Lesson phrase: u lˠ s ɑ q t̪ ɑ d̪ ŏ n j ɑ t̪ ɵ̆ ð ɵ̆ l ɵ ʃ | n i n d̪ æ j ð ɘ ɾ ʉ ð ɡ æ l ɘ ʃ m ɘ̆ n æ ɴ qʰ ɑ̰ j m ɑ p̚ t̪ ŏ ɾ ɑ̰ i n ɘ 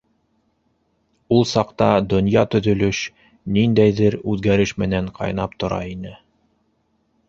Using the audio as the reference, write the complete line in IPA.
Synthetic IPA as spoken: u lˠ s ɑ q t̪ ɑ d̪ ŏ n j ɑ t̪ ɵ̆ ð ɵ̆ l ɵ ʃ | n i n d̪ æ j ð ɘ ɾ ʉ ð ɡ æ ɾ ɘ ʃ m ɘ̆ n æ ɴ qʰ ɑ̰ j n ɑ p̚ t̪ ŏ ɾ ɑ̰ i n ɘ